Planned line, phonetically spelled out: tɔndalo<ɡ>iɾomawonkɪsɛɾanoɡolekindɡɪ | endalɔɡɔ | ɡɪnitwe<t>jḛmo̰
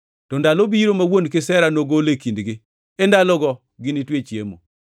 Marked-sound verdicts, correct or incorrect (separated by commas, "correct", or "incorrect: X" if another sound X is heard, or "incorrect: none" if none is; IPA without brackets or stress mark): incorrect: b, incorrect: t͡ʃ